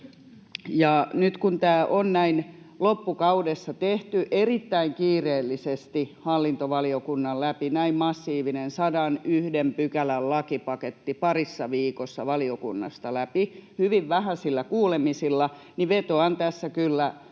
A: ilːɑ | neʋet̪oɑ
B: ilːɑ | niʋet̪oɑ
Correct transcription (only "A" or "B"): B